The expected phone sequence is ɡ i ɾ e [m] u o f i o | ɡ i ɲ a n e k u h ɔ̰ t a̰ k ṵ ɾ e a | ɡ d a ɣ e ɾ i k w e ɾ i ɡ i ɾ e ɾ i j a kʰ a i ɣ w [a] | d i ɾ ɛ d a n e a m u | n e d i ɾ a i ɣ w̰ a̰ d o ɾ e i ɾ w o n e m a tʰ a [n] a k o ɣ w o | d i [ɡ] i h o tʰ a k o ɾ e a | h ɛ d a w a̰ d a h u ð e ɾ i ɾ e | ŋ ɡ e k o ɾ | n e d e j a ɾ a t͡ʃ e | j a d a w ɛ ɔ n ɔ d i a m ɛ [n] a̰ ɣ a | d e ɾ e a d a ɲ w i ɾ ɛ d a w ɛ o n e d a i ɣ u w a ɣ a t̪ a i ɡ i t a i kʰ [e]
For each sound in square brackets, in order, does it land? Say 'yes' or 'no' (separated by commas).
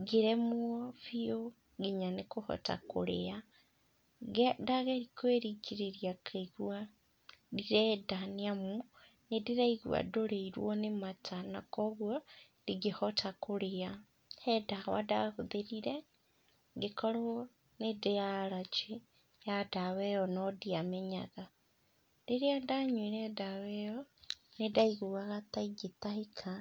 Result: yes, yes, yes, yes, no, no